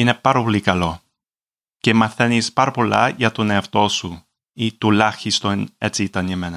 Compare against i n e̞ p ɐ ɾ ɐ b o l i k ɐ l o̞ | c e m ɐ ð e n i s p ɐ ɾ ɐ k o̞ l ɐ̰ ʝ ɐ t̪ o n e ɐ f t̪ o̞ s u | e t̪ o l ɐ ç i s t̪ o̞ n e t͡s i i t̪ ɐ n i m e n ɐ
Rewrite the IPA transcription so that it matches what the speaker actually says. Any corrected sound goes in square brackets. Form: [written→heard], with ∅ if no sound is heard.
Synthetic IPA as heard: i n e̞ p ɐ ɾ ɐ [b→p] o l i k ɐ l o̞ | c e m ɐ [ð→θ] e n i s p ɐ ɾ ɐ [k→p] o̞ l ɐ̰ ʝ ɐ t̪ o n e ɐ f t̪ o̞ s u | [e→i] t̪ [o→u] l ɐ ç i s t̪ o̞ n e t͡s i i t̪ ɐ n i m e n ɐ